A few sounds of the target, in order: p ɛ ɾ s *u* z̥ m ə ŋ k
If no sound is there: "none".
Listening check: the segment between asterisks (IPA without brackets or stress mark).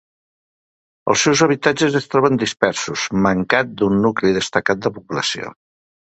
u